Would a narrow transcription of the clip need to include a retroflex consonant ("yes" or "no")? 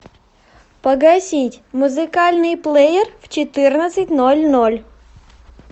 no